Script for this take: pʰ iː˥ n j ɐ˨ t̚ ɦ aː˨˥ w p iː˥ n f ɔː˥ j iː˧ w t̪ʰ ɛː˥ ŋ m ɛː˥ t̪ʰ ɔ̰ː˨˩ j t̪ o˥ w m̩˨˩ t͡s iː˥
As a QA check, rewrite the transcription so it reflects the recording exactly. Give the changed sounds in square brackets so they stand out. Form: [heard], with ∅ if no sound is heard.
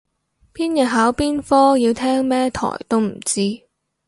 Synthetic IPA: pʰ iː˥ n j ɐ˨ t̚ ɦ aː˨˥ w p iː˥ n f ɔː˥ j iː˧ w t̪ʰ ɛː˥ ŋ m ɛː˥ t̪ʰ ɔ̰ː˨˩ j t̪ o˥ w m̩˨˩ t͡s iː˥

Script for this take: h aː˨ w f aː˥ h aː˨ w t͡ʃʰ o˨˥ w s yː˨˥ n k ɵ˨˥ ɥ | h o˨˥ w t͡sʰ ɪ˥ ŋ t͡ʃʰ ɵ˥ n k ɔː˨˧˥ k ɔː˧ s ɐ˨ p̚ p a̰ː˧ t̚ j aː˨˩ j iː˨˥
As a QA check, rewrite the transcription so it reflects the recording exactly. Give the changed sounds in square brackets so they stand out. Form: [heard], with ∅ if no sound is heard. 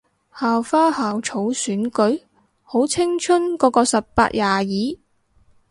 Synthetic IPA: h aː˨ w f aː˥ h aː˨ w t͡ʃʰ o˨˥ w s yː˨˥ n k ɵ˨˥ ɥ | h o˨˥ w t͡sʰ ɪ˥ ŋ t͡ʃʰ ɵ˥ n k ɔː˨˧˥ k ɔː˧ s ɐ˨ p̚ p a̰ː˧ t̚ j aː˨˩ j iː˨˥

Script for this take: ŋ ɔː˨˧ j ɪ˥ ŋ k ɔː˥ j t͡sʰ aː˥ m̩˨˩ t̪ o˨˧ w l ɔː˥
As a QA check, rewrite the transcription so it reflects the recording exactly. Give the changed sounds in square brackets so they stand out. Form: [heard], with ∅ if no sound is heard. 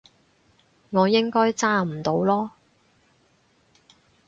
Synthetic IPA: ŋ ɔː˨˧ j ɪ˥ ŋ k ɔː˥ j [t͡s] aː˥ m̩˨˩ t̪ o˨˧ w l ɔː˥

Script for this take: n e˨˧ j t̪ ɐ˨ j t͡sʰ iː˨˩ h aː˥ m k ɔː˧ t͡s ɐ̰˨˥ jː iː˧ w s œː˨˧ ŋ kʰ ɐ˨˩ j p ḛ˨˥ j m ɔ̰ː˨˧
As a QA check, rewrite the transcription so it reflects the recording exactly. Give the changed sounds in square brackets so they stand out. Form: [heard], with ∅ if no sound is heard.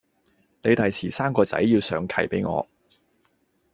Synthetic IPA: n e˨˧ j t̪ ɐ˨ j t͡sʰ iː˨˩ [s] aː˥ m k ɔː˧ t͡s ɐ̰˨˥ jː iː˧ w s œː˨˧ ŋ kʰ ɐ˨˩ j p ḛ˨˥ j [ŋ] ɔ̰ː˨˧

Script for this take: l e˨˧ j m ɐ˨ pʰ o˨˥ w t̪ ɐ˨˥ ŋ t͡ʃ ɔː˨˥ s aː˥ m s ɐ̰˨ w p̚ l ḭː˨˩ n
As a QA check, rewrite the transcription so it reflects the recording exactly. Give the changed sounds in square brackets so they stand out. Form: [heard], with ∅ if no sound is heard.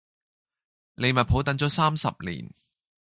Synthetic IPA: l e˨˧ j m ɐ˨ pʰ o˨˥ w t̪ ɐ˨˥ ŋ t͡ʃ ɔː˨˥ s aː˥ m s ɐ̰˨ [∅] p̚ l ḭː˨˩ n

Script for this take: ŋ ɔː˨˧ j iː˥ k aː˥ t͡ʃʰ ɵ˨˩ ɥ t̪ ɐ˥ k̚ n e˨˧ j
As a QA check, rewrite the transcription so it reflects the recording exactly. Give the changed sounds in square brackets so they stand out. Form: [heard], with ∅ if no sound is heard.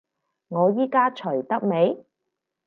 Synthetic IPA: ŋ ɔː˨˧ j iː˥ k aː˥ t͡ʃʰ ɵ˨˩ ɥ t̪ ɐ˥ k̚ [m] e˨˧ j

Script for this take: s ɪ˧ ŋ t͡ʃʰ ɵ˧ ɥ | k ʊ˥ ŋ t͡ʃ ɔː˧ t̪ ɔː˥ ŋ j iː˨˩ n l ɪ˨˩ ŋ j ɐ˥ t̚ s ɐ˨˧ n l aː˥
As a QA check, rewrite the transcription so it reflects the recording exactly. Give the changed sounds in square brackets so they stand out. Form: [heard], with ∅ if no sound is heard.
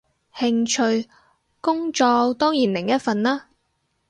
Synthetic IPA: [h] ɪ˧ ŋ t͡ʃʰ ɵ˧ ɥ | k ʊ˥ ŋ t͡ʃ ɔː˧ t̪ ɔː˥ ŋ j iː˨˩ n l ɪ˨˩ ŋ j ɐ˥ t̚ [f] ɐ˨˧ n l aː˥

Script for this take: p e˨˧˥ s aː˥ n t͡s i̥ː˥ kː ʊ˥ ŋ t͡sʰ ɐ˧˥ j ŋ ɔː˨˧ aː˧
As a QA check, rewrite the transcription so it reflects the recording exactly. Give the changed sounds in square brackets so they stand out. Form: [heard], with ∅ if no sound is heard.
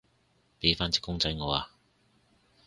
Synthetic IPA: p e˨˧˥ [f] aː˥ n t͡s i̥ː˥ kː ʊ˥ ŋ [t͡s] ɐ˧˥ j ŋ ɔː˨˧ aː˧

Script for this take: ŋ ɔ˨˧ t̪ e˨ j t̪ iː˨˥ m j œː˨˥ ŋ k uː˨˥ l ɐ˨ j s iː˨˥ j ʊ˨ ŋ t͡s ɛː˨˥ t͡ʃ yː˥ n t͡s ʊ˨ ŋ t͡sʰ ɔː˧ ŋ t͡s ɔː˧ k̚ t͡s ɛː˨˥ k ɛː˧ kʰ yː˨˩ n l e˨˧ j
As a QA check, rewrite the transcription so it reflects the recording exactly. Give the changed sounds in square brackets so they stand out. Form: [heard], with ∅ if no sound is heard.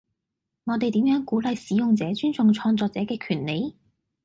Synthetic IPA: ŋ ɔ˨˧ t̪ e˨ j t̪ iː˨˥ m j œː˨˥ ŋ k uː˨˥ l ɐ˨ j s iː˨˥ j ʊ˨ ŋ t͡s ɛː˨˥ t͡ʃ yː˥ n t͡s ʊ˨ ŋ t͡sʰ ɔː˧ ŋ t͡s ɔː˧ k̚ t͡s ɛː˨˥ k ɛː˧ kʰ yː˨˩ n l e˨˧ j

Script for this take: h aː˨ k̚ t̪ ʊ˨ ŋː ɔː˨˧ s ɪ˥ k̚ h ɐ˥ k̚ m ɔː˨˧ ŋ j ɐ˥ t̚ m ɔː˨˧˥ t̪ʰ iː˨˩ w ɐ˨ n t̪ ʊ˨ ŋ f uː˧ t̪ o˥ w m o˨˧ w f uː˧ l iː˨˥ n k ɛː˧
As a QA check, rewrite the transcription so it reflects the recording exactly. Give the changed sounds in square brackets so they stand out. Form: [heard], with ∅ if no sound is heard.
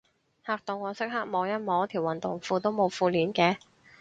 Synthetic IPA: h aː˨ k̚ t̪ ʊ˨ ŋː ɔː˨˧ s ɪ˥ k̚ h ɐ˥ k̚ m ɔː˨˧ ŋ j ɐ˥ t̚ m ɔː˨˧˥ t̪ʰ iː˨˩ w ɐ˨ n t̪ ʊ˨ ŋ f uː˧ t̪ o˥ w m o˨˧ w f uː˧ l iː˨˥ n k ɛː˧

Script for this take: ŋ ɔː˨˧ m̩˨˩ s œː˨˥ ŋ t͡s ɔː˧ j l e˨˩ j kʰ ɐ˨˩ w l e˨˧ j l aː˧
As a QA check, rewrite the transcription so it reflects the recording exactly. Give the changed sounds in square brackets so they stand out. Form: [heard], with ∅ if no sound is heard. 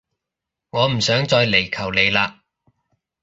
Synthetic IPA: ŋ ɔː˨˧ m̩˨˩ s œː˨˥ ŋ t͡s ɔː˧ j l e˨˩ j kʰ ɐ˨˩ w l e˨˧ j l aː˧

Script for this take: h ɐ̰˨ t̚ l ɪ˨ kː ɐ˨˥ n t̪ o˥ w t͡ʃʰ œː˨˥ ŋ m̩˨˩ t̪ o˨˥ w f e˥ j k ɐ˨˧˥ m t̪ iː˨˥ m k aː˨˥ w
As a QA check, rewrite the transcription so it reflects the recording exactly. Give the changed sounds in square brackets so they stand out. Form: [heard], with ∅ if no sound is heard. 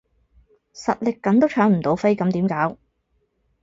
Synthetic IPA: [s] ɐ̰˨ t̚ l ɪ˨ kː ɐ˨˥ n t̪ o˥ w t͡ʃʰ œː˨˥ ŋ m̩˨˩ t̪ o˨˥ w f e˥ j k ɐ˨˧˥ m t̪ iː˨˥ m k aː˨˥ w

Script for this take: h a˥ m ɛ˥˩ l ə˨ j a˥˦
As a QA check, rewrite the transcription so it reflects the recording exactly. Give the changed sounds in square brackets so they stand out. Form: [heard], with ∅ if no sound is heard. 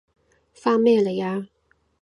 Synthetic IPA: [f] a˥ m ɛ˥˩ l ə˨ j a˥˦

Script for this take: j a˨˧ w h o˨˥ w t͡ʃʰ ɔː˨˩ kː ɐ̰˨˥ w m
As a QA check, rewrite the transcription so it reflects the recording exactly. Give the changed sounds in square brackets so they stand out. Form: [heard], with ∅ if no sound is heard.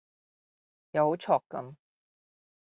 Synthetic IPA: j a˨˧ w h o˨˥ w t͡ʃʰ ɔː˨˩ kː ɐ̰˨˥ [∅] m

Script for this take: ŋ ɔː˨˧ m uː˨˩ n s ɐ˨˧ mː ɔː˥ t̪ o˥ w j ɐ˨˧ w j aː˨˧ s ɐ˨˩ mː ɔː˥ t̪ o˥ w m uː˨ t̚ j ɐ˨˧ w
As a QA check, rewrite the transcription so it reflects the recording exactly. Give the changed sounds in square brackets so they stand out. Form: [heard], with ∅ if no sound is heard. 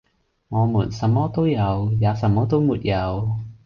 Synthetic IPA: ŋ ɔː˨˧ m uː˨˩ n s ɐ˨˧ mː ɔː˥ t̪ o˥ w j ɐ˨˧ w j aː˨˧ s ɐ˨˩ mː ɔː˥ t̪ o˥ w m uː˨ t̚ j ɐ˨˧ w

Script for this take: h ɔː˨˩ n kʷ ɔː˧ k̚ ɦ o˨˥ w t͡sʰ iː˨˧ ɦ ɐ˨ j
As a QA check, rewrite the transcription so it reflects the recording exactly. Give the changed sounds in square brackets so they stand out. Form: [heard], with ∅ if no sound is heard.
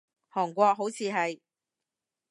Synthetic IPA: h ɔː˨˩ [ŋ] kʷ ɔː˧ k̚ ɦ o˨˥ w t͡sʰ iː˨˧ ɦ ɐ˨ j

